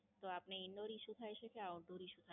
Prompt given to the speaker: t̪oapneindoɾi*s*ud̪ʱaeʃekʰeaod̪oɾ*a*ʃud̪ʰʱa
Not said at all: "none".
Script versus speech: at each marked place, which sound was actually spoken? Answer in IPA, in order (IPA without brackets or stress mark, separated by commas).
ʃ, i